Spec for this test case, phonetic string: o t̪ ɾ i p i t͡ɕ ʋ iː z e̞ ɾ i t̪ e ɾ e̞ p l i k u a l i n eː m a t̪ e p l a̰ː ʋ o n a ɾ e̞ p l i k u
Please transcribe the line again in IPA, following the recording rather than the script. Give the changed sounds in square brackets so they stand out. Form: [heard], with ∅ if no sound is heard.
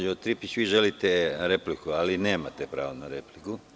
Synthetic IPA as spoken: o t̪ ɾ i p i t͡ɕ ʋ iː [ʒ] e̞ [l] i t̪ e ɾ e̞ p l i k u a l i n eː m a t̪ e p [ɾ] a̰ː ʋ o n a ɾ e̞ p l i k u